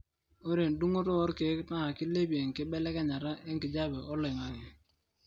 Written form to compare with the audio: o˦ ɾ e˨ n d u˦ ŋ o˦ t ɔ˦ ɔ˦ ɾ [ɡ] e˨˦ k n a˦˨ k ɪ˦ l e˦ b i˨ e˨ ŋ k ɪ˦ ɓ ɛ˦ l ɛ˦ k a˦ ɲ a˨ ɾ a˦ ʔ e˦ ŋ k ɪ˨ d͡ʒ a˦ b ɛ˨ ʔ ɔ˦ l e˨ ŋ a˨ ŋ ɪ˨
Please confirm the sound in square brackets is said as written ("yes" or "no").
no